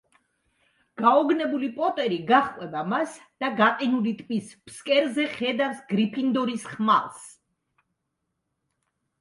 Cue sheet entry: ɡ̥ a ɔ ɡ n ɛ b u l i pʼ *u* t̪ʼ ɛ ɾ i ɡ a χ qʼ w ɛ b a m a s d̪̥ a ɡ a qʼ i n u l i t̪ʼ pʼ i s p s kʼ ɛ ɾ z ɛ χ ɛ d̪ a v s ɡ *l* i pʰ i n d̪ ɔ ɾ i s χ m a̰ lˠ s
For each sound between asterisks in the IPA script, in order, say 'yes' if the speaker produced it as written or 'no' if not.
no, no

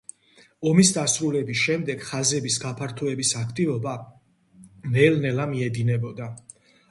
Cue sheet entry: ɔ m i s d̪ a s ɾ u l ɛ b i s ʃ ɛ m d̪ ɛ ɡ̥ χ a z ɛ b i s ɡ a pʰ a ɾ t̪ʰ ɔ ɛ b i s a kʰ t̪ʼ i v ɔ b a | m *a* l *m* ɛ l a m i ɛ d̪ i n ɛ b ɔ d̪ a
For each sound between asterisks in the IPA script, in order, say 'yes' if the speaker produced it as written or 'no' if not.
no, no

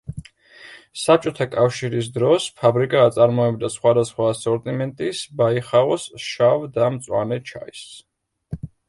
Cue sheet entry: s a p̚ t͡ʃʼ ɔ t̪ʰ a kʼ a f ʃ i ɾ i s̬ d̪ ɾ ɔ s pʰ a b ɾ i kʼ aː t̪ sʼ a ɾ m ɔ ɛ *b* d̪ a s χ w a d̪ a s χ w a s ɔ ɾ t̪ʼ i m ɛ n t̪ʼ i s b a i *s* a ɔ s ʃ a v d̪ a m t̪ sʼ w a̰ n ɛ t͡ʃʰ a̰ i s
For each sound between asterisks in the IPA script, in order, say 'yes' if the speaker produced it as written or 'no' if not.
yes, no

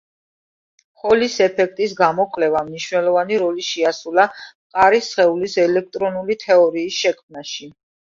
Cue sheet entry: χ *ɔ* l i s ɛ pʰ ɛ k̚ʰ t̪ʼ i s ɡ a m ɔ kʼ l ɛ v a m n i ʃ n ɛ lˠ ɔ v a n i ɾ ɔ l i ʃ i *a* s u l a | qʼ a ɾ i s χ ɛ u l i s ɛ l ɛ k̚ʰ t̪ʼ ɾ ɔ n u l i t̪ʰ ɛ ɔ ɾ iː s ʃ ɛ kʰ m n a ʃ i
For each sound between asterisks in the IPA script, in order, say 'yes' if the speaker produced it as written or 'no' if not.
yes, yes

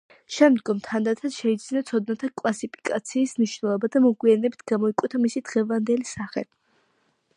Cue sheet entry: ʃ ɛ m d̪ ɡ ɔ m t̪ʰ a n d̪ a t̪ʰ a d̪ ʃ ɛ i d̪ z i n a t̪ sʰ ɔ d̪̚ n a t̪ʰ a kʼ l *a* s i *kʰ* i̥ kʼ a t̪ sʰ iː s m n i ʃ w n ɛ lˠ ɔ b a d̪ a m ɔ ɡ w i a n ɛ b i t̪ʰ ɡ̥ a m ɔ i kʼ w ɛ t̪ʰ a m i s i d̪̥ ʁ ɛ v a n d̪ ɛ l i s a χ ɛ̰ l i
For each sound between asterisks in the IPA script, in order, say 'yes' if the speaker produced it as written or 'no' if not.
yes, no

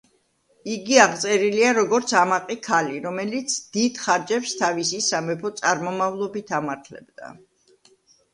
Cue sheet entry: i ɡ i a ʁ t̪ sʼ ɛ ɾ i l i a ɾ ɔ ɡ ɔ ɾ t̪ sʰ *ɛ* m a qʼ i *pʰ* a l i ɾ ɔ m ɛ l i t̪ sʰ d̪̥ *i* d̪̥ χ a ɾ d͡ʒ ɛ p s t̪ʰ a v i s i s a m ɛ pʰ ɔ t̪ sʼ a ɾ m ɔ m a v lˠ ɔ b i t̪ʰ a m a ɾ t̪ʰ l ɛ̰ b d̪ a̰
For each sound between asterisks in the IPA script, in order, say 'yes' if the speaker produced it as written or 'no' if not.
no, no, yes

